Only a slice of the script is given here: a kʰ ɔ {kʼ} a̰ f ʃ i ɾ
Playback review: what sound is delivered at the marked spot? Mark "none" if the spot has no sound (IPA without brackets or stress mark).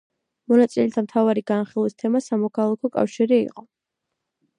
kʼ